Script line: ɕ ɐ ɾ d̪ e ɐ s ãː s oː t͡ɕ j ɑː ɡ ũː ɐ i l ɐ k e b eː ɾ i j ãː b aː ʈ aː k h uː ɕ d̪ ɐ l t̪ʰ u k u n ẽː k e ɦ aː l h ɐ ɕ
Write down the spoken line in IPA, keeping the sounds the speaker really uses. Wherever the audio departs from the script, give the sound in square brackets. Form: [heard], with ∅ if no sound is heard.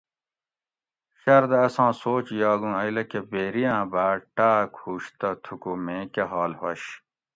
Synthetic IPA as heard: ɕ ɐ ɾ d̪ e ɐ s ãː s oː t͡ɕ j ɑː ɡ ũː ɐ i l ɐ k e b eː ɾ i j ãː b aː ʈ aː k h uː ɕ [t̪] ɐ [∅] t̪ʰ u k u [m] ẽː k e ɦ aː l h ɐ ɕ